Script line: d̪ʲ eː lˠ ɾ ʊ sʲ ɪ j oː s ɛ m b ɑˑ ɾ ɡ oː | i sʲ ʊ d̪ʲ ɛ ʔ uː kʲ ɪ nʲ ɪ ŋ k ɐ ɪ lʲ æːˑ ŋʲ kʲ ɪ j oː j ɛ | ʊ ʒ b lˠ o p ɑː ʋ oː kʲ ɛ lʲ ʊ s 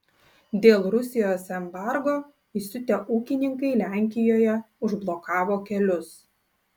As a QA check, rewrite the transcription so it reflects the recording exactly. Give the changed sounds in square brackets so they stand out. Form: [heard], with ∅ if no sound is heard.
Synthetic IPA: d̪ʲ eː lˠ ɾ ʊ sʲ ɪ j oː s ɛ m b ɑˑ ɾ ɡ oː | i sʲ ʊ [t̪ʲ] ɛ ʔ uː kʲ ɪ nʲ ɪ ŋ k ɐ ɪ lʲ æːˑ ŋʲ kʲ ɪ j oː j ɛ | ʊ ʒ b lˠ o [k] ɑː ʋ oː kʲ ɛ lʲ ʊ s

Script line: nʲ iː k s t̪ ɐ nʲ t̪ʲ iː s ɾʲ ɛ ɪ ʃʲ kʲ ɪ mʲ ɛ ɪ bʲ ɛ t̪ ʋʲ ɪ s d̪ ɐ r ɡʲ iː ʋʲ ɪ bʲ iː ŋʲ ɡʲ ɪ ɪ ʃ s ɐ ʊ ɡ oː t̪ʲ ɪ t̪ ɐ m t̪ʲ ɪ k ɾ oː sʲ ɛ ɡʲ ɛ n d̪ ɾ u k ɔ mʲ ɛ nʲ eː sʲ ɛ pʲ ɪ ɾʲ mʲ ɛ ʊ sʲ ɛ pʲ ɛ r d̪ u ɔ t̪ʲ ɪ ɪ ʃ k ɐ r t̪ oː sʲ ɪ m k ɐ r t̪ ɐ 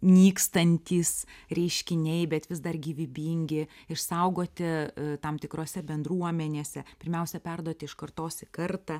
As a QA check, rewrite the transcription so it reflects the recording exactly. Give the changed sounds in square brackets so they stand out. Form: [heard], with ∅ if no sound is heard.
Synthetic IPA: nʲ iː k s t̪ ɐ nʲ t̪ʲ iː s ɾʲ ɛ ɪ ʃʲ kʲ ɪ [nʲ] ɛ ɪ bʲ ɛ t̪ ʋʲ ɪ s d̪ ɐ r ɡʲ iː ʋʲ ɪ bʲ iː ŋʲ ɡʲ ɪ ɪ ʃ s ɐ ʊ ɡ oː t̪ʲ ɪ t̪ ɐ m t̪ʲ ɪ k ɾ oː sʲ ɛ [bʲ] ɛ n d̪ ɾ u [∅] ɔ mʲ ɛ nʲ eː sʲ ɛ pʲ ɪ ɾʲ mʲ ɛ ʊ sʲ ɛ pʲ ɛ r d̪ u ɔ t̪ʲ ɪ ɪ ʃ k ɐ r t̪ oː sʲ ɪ [∅] k ɐ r t̪ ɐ

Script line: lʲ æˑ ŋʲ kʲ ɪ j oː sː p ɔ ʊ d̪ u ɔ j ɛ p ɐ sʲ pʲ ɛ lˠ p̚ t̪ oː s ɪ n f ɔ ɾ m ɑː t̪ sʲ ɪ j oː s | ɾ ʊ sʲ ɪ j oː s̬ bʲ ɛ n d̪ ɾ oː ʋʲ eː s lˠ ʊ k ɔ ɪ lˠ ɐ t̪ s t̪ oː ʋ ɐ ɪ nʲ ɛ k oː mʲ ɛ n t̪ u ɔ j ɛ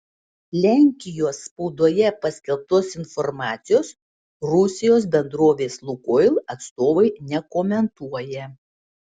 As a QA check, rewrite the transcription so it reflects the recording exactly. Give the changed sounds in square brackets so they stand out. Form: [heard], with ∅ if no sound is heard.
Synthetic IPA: lʲ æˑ ŋʲ kʲ ɪ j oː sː p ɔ ʊ d̪ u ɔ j ɛ p ɐ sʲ [kʲ] ɛ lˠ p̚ t̪ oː s ɪ n f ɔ ɾ m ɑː t̪ sʲ ɪ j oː s | ɾ ʊ sʲ ɪ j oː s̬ bʲ ɛ n d̪ ɾ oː ʋʲ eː s lˠ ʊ k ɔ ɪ lˠ ɐ t̪ s t̪ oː ʋ ɐ ɪ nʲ ɛ k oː mʲ ɛ n t̪ u ɔ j ɛ

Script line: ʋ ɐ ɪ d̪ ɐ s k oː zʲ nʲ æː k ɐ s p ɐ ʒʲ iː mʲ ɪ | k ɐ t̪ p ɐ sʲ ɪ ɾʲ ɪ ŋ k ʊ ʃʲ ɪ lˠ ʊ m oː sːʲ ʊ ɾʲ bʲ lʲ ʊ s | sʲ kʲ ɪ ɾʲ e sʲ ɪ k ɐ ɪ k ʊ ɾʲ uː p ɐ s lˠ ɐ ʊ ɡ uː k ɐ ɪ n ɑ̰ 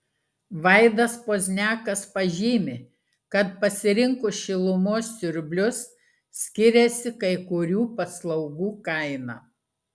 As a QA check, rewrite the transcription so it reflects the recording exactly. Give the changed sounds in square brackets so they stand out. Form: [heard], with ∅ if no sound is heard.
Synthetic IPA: ʋ ɐ ɪ d̪ ɐ s [p] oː zʲ nʲ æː k ɐ s p ɐ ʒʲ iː mʲ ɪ | k ɐ t̪ p ɐ sʲ ɪ ɾʲ ɪ ŋ k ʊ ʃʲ ɪ lˠ ʊ m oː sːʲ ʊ ɾʲ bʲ lʲ ʊ s | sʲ kʲ ɪ ɾʲ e sʲ ɪ k ɐ ɪ k ʊ ɾʲ uː p ɐ s lˠ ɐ ʊ ɡ uː k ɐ ɪ n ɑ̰

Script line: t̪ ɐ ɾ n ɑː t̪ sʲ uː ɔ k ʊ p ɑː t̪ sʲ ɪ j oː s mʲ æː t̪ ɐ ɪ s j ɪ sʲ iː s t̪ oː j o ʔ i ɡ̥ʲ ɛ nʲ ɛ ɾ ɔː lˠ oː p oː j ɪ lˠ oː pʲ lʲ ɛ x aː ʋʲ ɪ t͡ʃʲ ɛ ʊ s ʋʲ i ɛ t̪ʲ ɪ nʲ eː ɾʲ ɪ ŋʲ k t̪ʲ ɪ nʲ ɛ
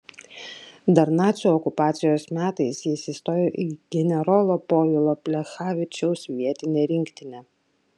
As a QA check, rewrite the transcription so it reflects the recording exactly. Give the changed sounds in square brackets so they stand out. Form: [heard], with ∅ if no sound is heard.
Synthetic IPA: [d̪] ɐ ɾ n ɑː t̪ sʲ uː ɔ k ʊ p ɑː t̪ sʲ ɪ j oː s mʲ æː t̪ ɐ ɪ s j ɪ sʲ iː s t̪ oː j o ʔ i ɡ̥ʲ ɛ nʲ ɛ ɾ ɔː lˠ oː p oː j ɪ lˠ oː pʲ lʲ ɛ x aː ʋʲ ɪ t͡ʃʲ ɛ ʊ s ʋʲ i ɛ t̪ʲ ɪ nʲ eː ɾʲ ɪ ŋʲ k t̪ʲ ɪ nʲ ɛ

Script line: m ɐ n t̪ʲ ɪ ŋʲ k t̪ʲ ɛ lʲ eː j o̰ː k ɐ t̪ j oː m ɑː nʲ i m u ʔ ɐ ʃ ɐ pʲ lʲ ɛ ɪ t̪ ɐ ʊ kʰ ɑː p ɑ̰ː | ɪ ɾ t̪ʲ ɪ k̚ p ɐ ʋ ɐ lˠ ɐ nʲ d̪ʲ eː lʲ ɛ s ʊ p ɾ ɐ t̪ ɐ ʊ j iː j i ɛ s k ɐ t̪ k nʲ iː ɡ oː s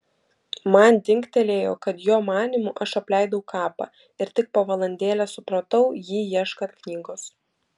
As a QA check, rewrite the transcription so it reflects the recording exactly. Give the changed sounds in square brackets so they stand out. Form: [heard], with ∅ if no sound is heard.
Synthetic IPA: m ɐ n [d̪ʲ] ɪ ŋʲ k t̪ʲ ɛ lʲ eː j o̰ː k ɐ t̪ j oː m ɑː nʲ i m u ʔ ɐ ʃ ɐ pʲ lʲ ɛ ɪ [d̪] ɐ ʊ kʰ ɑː p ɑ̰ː | ɪ ɾ t̪ʲ ɪ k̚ p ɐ ʋ ɐ lˠ ɐ nʲ d̪ʲ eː lʲ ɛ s ʊ p ɾ ɐ t̪ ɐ ʊ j iː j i ɛ [ʃ] k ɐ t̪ k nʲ iː ɡ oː s

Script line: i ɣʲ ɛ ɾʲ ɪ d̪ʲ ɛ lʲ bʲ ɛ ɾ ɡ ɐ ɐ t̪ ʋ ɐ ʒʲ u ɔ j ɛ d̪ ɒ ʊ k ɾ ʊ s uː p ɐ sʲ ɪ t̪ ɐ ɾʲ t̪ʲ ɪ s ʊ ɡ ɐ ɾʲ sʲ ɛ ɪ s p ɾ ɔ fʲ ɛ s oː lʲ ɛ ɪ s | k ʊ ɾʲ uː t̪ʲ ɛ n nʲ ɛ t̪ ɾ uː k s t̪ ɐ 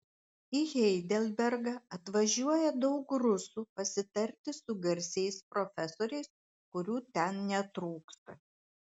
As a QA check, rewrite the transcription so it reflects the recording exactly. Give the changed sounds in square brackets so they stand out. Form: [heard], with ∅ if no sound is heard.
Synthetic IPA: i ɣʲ ɛ [∅] ɪ d̪ʲ ɛ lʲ bʲ ɛ ɾ ɡ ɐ ɐ t̪ ʋ ɐ ʒʲ u ɔ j ɛ d̪ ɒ ʊ k ɾ ʊ s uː p ɐ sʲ ɪ t̪ ɐ ɾʲ t̪ʲ ɪ s ʊ ɡ ɐ ɾʲ sʲ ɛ ɪ s p ɾ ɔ fʲ ɛ s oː [ɾʲ] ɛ ɪ s | k ʊ ɾʲ uː t̪ʲ ɛ n nʲ ɛ t̪ ɾ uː k s t̪ ɐ

